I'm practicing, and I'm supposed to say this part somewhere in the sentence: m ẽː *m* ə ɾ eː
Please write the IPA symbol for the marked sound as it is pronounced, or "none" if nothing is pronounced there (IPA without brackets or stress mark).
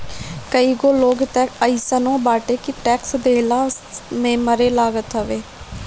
m